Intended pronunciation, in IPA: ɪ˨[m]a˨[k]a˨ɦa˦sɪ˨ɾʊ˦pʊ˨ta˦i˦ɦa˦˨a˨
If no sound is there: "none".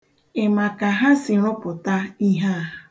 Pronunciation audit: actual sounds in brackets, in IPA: m, k

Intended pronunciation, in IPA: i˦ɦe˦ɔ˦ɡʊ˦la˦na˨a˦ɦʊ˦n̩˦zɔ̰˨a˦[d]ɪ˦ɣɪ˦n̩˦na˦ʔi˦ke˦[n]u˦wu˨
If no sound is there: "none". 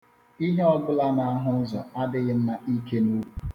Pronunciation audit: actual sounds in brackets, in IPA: d, n

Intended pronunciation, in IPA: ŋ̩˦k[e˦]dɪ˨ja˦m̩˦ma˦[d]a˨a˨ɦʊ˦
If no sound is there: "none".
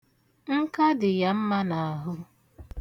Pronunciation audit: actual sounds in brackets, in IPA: a˦, n

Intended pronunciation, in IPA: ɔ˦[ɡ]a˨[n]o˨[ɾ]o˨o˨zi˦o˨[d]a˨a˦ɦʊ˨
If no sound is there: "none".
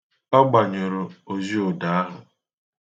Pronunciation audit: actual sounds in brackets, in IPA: ɡ͡b, ɲ, ɾ, d

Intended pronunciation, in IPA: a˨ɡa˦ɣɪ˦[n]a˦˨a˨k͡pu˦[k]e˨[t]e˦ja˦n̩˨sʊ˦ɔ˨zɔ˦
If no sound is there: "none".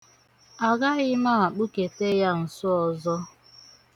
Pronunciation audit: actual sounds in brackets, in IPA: m, k, t

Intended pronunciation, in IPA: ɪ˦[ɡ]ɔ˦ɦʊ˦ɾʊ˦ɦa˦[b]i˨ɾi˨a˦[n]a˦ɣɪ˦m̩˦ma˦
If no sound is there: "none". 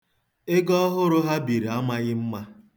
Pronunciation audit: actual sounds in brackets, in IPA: ɡ, b, m

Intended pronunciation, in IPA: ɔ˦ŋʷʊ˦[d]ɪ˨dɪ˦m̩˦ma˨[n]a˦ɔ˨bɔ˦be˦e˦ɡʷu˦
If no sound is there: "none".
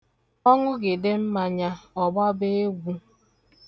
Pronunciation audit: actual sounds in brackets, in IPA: ɡ, ɲ

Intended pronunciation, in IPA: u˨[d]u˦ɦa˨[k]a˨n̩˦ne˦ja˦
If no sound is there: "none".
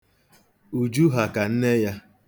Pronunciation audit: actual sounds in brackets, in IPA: d͡ʒ, k

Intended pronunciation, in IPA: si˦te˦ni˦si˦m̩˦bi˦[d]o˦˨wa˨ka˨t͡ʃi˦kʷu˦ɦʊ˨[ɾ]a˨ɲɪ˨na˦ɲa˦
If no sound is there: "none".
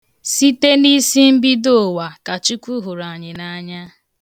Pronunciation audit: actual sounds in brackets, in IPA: d, ɾ

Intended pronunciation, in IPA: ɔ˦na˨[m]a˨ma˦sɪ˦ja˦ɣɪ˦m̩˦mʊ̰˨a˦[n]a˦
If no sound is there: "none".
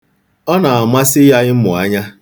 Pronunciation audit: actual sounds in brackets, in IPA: none, ɲ

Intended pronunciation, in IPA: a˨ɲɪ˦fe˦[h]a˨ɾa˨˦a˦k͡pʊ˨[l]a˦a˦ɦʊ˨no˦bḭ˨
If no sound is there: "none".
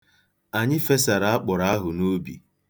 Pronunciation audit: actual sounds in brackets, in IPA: s, ɾ

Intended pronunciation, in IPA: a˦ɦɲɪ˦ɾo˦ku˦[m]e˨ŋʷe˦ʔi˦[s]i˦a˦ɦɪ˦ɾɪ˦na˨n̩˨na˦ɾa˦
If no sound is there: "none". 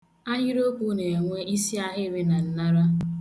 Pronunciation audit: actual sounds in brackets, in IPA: n, s

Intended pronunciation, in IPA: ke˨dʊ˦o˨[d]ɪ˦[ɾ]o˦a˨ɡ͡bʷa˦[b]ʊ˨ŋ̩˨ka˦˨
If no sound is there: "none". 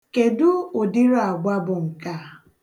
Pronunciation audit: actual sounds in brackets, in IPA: d, ɾ, b

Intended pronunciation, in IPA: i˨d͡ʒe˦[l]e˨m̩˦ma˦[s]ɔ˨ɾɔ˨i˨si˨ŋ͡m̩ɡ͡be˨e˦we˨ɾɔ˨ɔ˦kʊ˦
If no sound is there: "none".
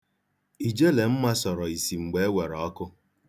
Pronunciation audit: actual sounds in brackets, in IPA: l, s

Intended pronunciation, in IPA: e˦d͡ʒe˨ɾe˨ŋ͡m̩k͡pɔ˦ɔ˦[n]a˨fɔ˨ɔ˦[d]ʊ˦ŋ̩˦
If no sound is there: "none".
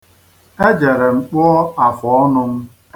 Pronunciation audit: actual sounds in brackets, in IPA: none, n

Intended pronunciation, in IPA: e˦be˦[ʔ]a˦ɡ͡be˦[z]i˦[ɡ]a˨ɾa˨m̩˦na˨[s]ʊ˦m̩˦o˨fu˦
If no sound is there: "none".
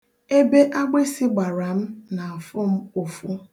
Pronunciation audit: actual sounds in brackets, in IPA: ʔ, s, ɡ͡b, f

